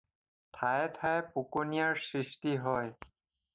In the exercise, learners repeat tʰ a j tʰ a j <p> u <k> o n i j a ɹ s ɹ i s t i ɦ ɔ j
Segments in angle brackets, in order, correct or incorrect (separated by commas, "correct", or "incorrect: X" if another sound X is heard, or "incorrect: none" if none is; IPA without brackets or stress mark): correct, correct